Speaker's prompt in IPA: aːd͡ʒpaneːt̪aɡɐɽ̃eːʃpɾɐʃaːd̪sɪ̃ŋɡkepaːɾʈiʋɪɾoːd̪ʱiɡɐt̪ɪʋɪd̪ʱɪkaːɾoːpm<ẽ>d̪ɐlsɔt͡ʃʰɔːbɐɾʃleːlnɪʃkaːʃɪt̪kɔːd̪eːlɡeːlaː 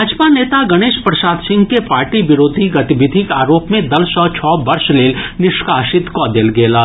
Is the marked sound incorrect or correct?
correct